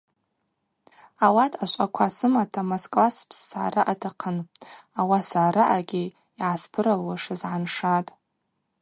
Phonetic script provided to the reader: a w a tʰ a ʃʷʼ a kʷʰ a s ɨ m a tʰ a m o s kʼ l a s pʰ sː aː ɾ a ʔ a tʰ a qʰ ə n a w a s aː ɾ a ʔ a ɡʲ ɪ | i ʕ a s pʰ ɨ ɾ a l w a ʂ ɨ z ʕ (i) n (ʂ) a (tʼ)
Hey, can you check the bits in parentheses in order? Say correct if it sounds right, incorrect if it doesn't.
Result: incorrect: a, correct, correct

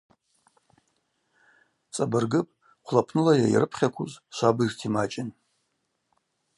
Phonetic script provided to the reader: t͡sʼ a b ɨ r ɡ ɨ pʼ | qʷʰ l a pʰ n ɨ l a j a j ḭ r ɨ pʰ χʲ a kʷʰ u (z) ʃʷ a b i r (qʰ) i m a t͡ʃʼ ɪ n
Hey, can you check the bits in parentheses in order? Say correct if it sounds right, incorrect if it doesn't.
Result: correct, incorrect: tʰ

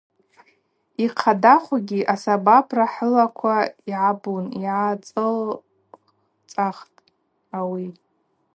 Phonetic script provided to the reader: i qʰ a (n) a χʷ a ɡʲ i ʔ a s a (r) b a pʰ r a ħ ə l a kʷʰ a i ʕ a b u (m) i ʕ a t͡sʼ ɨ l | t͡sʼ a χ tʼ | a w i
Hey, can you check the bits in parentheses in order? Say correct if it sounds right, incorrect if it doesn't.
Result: incorrect: d, incorrect: none, incorrect: n

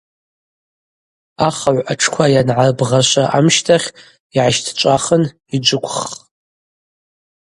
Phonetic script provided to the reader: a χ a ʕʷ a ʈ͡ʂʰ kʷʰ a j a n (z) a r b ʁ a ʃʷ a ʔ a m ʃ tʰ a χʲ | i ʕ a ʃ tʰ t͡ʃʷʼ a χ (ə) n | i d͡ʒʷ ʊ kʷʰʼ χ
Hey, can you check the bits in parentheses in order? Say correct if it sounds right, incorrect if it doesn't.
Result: incorrect: ʕ, correct

